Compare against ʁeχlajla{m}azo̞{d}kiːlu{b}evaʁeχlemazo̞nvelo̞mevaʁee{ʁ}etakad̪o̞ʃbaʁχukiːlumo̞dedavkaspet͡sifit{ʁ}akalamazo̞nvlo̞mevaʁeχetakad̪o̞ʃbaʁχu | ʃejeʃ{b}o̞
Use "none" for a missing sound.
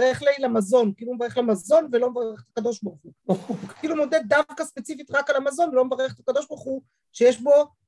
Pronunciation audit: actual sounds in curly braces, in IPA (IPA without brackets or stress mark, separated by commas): m, n, m, χ, ʁ, b